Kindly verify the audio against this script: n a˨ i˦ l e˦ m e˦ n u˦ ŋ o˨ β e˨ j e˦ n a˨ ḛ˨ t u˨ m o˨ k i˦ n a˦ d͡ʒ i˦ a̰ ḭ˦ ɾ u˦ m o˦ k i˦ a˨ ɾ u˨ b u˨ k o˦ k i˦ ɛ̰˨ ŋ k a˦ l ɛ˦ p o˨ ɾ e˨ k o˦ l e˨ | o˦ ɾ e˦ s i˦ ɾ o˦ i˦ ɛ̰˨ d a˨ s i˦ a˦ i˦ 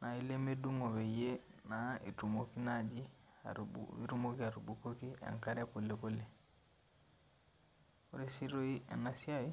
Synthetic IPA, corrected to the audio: n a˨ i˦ l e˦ m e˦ d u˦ ŋ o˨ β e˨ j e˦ n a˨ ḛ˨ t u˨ m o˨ k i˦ n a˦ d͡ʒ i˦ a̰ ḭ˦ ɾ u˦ m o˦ k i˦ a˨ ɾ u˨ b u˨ k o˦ k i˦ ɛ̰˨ ŋ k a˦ ɾ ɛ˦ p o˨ l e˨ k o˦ l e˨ | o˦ ɾ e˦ s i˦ ɾ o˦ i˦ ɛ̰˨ n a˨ s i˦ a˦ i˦